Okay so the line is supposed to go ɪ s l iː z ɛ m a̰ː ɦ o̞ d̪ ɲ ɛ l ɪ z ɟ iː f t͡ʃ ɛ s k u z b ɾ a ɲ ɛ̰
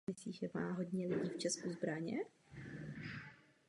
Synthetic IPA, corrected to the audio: ɪ s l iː ʒ ɛ m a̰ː ɦ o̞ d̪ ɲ ɛ l ɪ ɟ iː f t͡ʃ ɛ s k u z b ɾ a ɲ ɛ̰